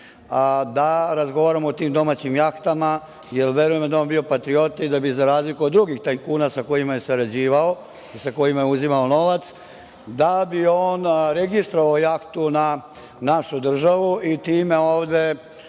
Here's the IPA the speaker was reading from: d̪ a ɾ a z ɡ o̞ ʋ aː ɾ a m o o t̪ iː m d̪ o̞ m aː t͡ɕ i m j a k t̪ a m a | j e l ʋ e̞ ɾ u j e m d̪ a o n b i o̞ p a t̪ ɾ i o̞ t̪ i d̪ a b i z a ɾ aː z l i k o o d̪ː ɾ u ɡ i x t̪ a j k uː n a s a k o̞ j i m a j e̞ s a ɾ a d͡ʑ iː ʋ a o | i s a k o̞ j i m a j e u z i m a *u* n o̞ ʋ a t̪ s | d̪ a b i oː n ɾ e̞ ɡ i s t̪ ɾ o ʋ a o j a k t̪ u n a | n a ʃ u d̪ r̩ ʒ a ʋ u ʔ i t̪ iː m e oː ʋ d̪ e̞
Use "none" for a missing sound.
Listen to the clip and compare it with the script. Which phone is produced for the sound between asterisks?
o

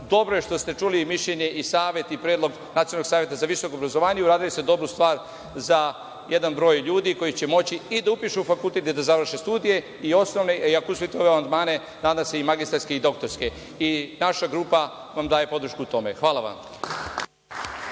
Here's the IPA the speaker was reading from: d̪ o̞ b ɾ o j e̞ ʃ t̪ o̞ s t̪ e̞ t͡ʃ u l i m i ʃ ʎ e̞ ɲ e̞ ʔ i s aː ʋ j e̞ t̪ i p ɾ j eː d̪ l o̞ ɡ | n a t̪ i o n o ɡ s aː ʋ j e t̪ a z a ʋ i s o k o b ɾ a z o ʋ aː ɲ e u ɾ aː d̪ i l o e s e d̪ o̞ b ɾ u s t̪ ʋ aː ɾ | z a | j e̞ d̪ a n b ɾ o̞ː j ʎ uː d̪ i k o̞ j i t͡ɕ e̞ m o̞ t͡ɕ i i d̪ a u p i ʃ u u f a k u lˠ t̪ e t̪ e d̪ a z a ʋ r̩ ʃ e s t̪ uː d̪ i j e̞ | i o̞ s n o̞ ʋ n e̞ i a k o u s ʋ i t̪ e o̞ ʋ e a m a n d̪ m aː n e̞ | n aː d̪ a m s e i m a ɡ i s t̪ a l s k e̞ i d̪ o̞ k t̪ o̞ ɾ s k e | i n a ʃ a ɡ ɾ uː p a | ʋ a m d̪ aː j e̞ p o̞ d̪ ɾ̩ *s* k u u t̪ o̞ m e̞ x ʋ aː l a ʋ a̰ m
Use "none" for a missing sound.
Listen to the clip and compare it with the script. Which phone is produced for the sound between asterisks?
ʃ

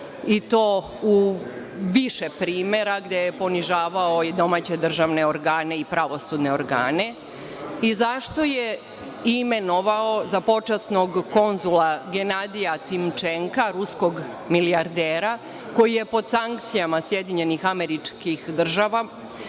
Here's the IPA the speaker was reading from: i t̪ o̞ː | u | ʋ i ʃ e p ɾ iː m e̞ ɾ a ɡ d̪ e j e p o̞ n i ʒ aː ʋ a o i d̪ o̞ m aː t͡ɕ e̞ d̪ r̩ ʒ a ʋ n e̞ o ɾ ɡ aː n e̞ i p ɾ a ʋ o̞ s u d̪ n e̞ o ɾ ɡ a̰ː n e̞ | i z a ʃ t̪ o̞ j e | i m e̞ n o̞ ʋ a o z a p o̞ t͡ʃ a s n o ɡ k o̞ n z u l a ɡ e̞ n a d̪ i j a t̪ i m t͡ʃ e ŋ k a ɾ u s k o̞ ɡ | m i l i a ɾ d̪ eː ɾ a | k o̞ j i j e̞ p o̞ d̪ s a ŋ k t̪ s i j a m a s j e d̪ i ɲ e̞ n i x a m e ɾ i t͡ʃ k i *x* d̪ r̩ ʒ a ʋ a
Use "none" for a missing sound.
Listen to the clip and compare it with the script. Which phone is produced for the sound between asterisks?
x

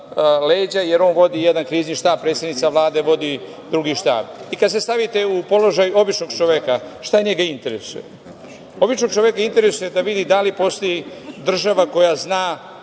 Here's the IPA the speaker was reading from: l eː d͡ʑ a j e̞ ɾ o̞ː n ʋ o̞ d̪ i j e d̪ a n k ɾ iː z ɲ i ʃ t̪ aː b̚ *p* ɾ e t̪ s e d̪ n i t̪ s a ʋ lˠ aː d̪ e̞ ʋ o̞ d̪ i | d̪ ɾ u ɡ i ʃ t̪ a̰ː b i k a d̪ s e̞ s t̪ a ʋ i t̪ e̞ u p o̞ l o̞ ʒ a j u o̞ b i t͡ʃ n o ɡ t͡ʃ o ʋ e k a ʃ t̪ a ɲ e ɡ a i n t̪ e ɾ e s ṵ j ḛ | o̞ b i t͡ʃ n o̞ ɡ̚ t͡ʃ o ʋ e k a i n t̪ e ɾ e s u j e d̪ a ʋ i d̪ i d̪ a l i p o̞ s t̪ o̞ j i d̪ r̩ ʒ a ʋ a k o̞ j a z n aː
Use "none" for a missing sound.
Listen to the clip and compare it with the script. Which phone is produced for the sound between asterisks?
p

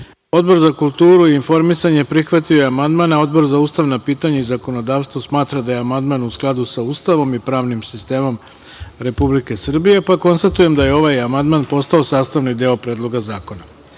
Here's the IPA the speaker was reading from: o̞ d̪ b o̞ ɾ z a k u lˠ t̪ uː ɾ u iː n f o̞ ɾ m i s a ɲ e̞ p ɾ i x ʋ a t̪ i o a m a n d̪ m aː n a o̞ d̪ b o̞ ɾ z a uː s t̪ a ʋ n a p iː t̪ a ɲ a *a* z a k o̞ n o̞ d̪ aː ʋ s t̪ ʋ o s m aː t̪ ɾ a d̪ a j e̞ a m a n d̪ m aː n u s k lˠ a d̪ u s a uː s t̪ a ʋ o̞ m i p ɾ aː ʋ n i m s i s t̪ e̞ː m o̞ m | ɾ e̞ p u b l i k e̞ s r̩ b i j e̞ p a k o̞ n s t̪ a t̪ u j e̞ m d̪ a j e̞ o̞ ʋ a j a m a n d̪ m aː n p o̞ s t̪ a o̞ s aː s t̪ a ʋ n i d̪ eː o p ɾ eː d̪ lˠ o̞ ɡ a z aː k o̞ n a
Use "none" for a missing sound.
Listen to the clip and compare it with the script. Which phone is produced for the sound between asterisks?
i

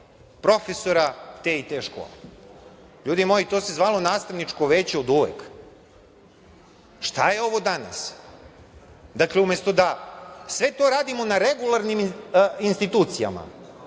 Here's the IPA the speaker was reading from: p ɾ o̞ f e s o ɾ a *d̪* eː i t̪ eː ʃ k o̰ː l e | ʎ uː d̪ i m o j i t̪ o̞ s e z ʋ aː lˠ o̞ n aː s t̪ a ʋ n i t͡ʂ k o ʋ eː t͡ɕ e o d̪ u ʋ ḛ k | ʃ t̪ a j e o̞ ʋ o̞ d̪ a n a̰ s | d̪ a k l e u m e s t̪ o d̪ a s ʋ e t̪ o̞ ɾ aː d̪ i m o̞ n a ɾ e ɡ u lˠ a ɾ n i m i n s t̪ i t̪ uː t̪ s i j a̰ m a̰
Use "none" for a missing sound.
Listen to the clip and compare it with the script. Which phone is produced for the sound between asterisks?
t̪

